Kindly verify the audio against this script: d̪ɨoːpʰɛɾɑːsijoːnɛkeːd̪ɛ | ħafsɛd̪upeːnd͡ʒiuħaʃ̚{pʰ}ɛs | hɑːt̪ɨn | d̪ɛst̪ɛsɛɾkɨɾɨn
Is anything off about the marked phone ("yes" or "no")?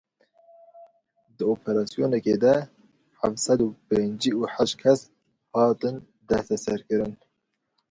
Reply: yes